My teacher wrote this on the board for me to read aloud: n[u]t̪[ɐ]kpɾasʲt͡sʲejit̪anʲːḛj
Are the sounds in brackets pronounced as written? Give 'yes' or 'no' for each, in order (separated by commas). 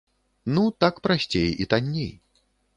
yes, no